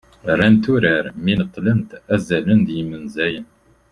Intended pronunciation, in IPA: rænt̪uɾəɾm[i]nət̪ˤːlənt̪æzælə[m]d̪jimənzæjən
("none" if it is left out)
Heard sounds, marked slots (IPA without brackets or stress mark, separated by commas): i, n